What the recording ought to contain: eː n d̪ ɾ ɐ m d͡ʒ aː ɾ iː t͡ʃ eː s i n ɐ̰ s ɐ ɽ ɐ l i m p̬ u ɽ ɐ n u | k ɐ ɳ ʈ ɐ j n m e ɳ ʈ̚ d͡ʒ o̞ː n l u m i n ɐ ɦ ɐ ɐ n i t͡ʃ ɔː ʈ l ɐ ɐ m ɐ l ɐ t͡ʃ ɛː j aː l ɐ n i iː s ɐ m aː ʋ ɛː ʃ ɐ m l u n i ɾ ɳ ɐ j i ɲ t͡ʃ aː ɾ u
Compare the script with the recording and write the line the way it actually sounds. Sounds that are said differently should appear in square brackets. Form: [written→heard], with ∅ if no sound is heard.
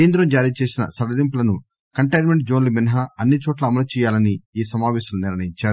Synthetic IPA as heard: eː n d̪ ɾ ɐ m d͡ʒ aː ɾ iː t͡ʃ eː s i n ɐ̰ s ɐ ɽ ɐ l i m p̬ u [ɽ→l] ɐ n u | k ɐ ɳ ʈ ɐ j n m e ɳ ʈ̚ d͡ʒ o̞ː n l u m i n ɐ ɦ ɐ ɐ [n→nː] i t͡ʃ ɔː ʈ l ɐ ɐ m ɐ l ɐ t͡ʃ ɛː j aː l ɐ n i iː s ɐ m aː ʋ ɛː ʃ ɐ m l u n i ɾ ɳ ɐ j i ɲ t͡ʃ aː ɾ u